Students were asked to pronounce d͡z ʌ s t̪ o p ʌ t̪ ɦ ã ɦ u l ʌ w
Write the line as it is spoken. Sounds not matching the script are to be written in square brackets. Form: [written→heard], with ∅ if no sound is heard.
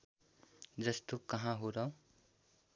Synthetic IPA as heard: d͡z ʌ s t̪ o [p→k] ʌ [t̪→∅] ɦ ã ɦ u [l→ɾ] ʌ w